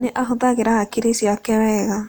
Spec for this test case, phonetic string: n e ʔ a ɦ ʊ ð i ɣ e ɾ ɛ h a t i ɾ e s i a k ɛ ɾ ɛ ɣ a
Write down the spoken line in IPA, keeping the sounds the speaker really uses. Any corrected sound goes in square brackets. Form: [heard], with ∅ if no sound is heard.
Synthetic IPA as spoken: n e ʔ a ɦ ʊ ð [a] ɣ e ɾ [a] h a [k] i ɾ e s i a k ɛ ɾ ɛ ɣ a